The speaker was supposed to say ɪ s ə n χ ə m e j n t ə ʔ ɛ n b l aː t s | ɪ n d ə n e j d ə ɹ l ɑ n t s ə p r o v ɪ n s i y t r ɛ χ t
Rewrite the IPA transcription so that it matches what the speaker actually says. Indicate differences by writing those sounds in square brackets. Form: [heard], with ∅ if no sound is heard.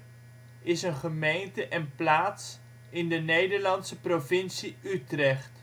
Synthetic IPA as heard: ɪ s ə n χ ə m e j n t ə ʔ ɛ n [p] l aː t s | ɪ n d ə n e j d ə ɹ l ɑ n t s ə p r o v ɪ n s i y t r ɛ χ t